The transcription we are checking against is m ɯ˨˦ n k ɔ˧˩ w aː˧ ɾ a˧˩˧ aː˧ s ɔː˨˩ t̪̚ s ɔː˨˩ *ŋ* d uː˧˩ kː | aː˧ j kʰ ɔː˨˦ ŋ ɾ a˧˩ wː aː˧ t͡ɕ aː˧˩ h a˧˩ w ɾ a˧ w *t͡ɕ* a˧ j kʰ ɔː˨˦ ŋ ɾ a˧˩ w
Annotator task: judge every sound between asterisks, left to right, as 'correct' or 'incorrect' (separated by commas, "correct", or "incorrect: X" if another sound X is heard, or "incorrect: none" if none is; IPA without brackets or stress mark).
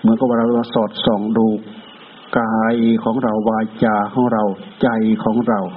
correct, correct